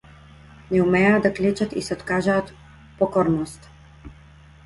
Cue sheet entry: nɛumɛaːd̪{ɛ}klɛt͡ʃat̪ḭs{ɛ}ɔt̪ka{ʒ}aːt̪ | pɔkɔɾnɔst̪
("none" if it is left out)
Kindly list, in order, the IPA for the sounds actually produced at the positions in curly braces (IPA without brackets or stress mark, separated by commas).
a, ɛ, ʒ